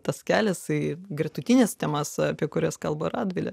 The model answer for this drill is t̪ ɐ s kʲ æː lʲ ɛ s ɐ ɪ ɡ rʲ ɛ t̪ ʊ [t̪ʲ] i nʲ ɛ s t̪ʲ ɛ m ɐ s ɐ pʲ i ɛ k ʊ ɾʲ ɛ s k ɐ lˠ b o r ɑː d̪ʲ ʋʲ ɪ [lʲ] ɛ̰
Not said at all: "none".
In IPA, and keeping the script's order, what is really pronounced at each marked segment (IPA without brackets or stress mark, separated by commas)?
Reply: t̪ʲ, lʲ